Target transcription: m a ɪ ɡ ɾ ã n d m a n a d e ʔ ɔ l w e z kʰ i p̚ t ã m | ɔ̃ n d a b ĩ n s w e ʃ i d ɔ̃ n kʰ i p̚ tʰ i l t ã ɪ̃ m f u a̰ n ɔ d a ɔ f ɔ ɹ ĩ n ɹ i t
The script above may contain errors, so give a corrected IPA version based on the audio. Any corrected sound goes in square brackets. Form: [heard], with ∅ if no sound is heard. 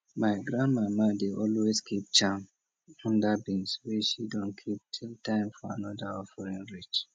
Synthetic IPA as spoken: m a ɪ ɡ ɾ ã n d m a [m] a d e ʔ ɔ l w e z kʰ i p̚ [t͡ʃ] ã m | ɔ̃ n d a b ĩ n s w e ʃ i d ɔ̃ n kʰ i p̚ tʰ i l t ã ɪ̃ m f [ɔ] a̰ n ɔ d a ɔ f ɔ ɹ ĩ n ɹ i [t͡ʃ]